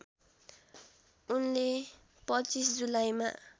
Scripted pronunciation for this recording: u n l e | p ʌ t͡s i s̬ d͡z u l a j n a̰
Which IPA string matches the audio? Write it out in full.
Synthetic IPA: u n l e | p ʌ t͡s i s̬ d͡z u l a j m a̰